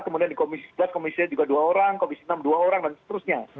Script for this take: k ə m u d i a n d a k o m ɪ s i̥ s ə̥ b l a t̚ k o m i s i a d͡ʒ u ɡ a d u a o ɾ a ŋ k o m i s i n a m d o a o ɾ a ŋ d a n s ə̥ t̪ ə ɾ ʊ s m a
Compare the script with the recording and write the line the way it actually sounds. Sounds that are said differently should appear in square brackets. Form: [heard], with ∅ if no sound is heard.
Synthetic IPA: k ə m u d i a n d [i] k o m [i] s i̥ s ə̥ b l a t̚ k o m i s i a d͡ʒ u ɡ a d u a o ɾ a ŋ k o m i s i n a m d [u] a o ɾ a ŋ d a n s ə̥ t̪ ə ɾ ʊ s [ɲ] a